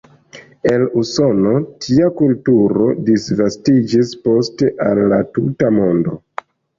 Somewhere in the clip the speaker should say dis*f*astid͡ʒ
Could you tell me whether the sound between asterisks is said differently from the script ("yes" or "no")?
yes